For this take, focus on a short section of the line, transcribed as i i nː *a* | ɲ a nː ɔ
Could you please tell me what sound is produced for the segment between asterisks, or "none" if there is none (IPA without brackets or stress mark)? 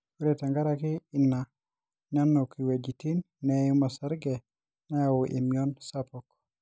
a